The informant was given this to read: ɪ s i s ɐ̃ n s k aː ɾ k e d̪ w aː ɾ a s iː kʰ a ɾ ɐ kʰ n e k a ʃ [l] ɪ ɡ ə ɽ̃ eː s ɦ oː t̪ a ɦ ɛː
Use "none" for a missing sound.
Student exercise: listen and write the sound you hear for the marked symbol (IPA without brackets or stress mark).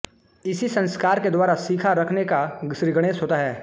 ɾ